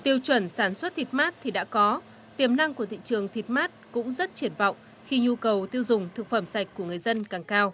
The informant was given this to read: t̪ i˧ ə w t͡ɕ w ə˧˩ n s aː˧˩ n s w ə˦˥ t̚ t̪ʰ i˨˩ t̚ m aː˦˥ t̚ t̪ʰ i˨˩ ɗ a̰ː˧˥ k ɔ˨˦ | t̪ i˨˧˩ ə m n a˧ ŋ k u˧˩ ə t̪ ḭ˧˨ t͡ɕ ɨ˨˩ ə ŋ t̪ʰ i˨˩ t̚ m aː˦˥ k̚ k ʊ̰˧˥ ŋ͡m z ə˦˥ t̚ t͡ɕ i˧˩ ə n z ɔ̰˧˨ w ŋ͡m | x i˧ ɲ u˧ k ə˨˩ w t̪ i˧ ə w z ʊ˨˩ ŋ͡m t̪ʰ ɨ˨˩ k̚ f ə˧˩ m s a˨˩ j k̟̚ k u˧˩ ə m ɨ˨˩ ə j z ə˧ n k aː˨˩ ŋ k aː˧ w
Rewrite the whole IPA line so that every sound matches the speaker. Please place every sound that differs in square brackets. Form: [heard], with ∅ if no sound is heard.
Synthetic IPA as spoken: t̪ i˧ ə w t͡ɕ w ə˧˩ n s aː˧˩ n s w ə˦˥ t̚ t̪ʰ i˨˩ t̚ m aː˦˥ t̚ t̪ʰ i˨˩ ɗ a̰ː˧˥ k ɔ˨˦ | t̪ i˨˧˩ ə m n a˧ ŋ k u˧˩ ə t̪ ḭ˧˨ t͡ɕ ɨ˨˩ ə ŋ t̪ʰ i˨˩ t̚ m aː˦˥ [t̚] k ʊ̰˧˥ ŋ͡m z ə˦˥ t̚ t͡ɕ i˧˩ ə n [v] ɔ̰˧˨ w ŋ͡m | x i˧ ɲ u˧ k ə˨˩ w t̪ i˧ ə w z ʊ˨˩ ŋ͡m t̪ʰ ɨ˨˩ k̚ f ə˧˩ m s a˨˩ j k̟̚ k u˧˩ ə [ŋ] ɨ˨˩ ə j z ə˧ n k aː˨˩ ŋ k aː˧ w